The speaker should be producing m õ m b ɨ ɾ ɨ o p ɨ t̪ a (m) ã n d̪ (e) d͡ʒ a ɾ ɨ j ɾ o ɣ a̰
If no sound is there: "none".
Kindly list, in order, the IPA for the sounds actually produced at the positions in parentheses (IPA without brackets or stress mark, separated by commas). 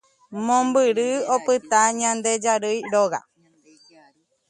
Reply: ɲ, e